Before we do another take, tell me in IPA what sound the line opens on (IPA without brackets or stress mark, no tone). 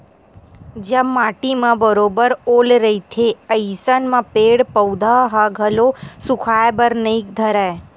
d͡ʒ